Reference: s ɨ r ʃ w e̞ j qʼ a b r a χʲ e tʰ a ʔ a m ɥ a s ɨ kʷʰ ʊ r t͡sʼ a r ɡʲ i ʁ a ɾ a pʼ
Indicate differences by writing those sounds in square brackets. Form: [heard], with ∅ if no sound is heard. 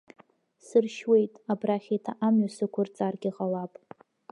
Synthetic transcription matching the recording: s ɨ r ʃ w e̞ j [tʼ] a b r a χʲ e tʰ a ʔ a m ɥ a s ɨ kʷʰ ʊ r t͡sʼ a r ɡʲ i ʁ a [l] a pʼ